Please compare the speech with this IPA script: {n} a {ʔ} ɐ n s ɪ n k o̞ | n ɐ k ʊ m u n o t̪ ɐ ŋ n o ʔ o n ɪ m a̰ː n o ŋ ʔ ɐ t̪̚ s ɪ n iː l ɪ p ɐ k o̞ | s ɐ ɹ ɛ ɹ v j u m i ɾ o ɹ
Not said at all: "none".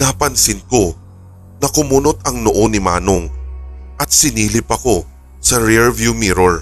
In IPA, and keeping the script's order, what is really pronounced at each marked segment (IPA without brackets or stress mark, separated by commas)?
n, p